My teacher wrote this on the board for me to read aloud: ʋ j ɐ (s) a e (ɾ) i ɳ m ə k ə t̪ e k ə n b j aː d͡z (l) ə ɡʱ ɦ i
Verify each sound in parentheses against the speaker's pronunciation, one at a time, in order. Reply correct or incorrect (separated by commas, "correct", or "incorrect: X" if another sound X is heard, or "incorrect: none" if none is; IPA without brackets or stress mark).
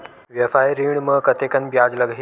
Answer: incorrect: f, correct, correct